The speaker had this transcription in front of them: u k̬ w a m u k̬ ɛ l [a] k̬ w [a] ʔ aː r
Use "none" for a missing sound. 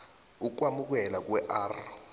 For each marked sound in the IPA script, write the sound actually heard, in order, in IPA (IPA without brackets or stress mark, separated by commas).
a, ɛ